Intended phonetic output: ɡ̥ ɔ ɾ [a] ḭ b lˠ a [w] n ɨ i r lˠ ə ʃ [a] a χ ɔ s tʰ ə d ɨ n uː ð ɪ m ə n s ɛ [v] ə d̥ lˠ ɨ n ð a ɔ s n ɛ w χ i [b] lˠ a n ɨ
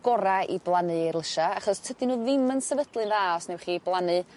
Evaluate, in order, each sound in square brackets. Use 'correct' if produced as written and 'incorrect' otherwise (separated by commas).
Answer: correct, incorrect, correct, correct, correct